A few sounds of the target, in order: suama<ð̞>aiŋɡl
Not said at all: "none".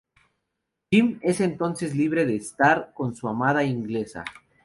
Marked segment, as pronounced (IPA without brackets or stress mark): ð̞